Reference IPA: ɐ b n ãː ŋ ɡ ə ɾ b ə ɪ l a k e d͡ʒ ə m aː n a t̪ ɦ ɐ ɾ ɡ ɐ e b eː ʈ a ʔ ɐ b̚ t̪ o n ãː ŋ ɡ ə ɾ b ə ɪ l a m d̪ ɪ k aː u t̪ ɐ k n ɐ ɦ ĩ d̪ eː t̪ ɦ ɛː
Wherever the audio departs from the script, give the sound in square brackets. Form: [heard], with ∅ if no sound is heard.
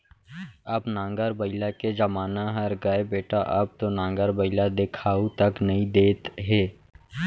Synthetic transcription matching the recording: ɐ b n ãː ŋ ɡ ə ɾ b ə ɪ l a k e d͡ʒ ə m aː n a [∅] ɦ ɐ ɾ ɡ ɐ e b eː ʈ a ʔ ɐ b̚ t̪ o n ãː ŋ ɡ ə ɾ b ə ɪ l a [∅] d̪ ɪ [kʰ] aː u t̪ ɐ k n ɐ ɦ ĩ d̪ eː t̪ ɦ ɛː